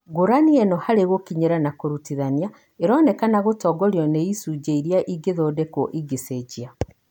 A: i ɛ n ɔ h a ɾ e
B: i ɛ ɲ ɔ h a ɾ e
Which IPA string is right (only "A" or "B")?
A